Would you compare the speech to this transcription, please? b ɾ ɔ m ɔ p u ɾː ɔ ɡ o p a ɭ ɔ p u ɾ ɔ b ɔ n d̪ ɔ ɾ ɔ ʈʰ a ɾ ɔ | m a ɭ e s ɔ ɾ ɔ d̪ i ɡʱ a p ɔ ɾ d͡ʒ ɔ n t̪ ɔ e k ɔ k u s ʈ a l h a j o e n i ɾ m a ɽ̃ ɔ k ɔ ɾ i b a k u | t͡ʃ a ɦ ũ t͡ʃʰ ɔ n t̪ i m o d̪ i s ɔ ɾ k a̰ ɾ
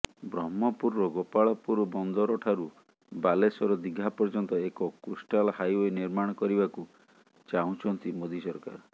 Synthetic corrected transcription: b ɾ ɔ m ɔ p u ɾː ɔ ɡ o p a ɭ ɔ p u ɾ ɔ b ɔ n d̪ ɔ ɾ ɔ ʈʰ a ɾ u | b a l e s ɔ ɾ ɔ d̪ i ɡʱ a p ɔ ɾ d͡ʒ ɔ n t̪ ɔ e k ɔ k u s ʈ a l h a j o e n i ɾ m a ɽ̃ ɔ k ɔ ɾ i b a k u | t͡ʃ a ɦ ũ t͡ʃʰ ɔ n t̪ i m o d̪ i s ɔ ɾ k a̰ ɾ

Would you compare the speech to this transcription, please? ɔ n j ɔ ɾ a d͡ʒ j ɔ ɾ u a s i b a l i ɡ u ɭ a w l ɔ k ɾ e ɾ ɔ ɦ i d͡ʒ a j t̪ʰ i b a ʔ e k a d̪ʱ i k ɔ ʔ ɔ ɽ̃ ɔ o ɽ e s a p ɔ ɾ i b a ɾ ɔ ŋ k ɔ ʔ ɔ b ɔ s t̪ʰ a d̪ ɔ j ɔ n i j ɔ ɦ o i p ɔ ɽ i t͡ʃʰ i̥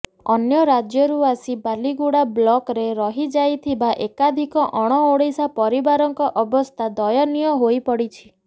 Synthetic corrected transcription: ɔ n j ɔ ɾ a d͡ʒ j ɔ ɾ u a s i b a l i ɡ u ɽ a b l ɔ k ɾ e ɾ ɔ ɦ i d͡ʒ a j t̪ʰ i b a ʔ e k a d̪ʱ i k ɔ ʔ ɔ ɽ̃ ɔ o ɽ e s a p ɔ ɾ i b a ɾ ɔ ŋ k ɔ ʔ ɔ b ɔ s t̪ʰ a d̪ ɔ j ɔ n i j ɔ ɦ o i p ɔ ɽ i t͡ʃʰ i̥

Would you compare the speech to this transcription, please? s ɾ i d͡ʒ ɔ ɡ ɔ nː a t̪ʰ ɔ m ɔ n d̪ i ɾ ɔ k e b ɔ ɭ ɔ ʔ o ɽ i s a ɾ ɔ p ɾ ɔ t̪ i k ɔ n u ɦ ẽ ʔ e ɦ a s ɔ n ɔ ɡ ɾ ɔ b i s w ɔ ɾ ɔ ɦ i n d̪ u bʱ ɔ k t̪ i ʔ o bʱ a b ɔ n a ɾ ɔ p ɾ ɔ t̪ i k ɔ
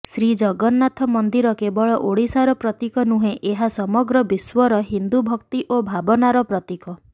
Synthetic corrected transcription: s ɾ i d͡ʒ ɔ ɡ ɔ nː a t̪ʰ ɔ m ɔ n d̪ i ɾ ɔ k e b ɔ ɭ ɔ ʔ o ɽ i s a ɾ ɔ p ɾ ɔ t̪ i k ɔ n u ɦ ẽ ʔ e ɦ a s ɔ m ɔ ɡ ɾ ɔ b i s w ɔ ɾ ɔ ɦ i n d̪ u bʱ ɔ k t̪ i ʔ o bʱ a b ɔ n a ɾ ɔ p ɾ ɔ t̪ i k ɔ

